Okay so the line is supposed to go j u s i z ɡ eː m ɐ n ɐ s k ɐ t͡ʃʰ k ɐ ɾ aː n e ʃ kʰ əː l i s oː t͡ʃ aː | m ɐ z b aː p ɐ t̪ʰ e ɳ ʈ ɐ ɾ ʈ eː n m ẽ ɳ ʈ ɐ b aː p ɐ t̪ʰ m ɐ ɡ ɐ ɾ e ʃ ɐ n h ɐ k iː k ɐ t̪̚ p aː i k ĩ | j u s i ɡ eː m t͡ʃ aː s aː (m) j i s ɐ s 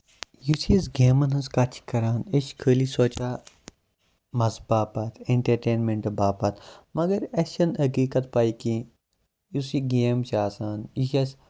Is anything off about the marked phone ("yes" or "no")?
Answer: yes